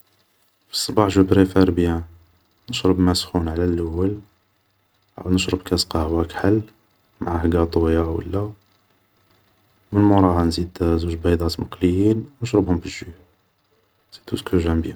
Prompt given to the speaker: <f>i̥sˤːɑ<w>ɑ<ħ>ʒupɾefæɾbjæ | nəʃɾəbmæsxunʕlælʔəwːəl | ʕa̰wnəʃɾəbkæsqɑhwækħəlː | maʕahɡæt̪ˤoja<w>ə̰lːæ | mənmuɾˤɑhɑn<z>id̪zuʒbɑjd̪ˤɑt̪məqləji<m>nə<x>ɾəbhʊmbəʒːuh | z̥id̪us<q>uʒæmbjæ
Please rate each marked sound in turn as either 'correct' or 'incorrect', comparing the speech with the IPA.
correct, incorrect: b, correct, correct, correct, incorrect: n, incorrect: ʃ, incorrect: k

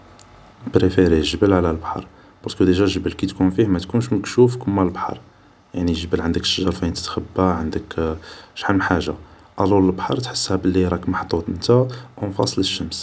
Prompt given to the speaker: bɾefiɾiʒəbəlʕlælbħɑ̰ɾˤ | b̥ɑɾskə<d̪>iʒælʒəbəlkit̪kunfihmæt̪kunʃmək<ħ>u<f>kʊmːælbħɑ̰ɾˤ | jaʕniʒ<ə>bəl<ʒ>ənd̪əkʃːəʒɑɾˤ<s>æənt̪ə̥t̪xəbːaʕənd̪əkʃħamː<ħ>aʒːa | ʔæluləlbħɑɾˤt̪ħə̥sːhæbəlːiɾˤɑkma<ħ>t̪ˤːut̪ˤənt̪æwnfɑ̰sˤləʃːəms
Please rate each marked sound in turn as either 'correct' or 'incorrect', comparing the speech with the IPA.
correct, incorrect: ʃ, correct, correct, incorrect: ʕ, incorrect: f, correct, correct

